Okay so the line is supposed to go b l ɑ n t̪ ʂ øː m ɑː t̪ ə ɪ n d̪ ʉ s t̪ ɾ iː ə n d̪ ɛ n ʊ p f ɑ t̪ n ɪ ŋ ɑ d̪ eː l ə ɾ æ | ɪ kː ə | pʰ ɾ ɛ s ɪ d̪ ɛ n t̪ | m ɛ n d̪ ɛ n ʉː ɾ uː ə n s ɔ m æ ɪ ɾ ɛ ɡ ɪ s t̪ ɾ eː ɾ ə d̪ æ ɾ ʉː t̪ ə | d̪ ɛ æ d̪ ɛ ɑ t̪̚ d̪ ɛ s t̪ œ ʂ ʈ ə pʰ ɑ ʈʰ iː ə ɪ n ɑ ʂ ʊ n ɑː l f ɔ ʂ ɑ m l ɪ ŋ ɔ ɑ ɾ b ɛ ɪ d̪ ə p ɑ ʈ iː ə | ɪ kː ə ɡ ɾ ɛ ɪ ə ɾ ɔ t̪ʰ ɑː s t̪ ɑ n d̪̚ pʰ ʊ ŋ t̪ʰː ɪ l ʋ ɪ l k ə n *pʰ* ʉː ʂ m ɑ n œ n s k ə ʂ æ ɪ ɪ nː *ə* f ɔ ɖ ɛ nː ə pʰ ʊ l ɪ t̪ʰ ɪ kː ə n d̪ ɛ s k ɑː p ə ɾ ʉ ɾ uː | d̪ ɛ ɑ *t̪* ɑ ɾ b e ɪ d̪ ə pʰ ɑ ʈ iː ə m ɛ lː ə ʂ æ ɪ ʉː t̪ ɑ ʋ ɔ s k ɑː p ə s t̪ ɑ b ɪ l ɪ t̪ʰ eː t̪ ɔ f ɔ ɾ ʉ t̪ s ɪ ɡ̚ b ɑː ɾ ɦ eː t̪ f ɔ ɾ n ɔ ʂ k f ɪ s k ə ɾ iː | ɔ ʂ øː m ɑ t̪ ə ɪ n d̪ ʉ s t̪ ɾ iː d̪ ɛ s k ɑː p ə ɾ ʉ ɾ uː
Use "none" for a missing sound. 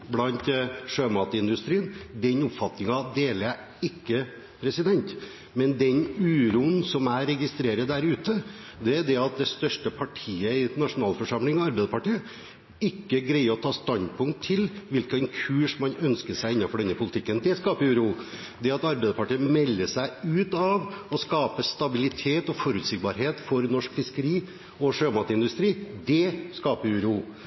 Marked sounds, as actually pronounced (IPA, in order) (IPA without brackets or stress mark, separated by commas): kʰ, ɑ, t̪